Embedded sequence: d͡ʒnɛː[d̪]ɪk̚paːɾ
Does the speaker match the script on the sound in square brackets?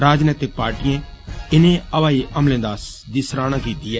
no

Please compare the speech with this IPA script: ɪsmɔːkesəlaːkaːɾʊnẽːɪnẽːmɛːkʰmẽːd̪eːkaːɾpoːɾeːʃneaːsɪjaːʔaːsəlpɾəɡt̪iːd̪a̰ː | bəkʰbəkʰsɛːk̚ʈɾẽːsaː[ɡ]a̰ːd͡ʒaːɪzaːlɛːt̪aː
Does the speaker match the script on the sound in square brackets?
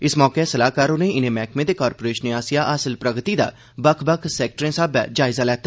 no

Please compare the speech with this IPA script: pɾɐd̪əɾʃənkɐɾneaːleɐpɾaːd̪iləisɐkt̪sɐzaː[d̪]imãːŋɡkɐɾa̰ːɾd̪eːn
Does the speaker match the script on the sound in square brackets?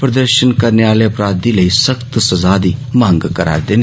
yes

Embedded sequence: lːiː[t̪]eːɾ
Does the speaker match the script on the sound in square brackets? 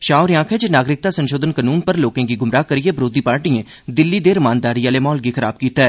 no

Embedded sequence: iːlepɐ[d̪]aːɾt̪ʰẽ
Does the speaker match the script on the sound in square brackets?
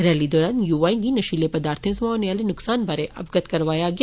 yes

